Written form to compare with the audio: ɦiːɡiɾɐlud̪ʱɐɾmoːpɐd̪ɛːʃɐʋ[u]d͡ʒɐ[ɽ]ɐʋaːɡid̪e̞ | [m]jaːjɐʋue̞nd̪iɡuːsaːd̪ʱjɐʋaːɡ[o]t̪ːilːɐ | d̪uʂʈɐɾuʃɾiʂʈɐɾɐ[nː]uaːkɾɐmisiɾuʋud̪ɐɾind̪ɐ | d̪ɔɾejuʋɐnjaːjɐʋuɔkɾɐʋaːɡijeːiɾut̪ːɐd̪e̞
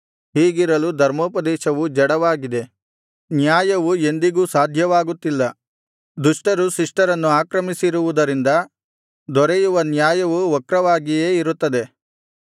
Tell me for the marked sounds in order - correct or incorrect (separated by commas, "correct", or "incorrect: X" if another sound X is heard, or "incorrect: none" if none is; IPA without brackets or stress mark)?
correct, correct, incorrect: n, incorrect: u, correct